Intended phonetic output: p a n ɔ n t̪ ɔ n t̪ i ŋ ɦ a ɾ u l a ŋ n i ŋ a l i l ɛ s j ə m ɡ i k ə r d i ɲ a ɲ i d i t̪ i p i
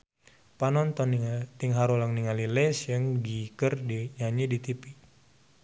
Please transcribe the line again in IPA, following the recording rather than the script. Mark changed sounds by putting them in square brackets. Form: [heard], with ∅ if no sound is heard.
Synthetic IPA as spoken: p a n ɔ n t̪ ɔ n t̪ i ŋ ɦ a ɾ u l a ŋ n i ŋ a l i l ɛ s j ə [ŋ] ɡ i k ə r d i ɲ a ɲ i d i t̪ i p i